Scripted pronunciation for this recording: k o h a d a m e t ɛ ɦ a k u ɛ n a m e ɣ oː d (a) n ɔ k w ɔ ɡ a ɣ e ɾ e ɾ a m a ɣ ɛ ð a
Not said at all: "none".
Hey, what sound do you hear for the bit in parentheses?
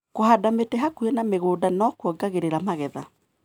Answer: a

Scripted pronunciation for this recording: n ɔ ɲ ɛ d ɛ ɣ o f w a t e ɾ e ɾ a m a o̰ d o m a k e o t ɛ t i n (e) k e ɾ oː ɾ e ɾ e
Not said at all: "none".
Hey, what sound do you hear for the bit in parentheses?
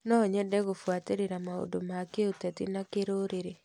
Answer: a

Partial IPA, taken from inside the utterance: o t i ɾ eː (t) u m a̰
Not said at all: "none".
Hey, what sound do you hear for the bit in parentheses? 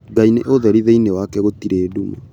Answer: d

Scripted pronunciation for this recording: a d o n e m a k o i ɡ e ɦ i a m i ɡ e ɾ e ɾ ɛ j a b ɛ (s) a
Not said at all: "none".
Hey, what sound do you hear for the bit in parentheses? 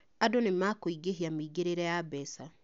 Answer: s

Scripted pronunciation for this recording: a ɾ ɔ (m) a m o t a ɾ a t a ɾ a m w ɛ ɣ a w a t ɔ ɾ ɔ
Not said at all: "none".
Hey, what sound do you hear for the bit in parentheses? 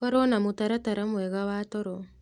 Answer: n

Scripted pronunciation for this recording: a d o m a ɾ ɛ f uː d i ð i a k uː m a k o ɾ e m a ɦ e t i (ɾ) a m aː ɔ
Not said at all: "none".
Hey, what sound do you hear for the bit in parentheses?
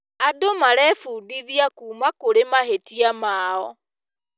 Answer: none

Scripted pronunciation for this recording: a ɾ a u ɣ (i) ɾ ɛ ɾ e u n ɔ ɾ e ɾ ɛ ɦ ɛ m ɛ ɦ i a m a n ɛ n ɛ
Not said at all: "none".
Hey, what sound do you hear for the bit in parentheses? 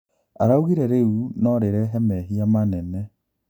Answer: i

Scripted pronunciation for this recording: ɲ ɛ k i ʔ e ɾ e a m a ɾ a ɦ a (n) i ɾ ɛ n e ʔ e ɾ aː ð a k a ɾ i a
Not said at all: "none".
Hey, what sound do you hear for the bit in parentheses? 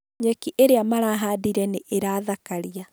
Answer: d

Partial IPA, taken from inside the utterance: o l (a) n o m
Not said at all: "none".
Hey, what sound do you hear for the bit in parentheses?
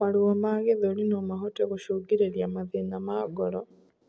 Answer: i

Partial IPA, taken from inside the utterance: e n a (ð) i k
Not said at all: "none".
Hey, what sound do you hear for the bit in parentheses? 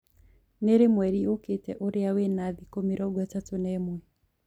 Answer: ð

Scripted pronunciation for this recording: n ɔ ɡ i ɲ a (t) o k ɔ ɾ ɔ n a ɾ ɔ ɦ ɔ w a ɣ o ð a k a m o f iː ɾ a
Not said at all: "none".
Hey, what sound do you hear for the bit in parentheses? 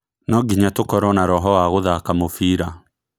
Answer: t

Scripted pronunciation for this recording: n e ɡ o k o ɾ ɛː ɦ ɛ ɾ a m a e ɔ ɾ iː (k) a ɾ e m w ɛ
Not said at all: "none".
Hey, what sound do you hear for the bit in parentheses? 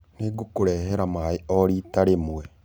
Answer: t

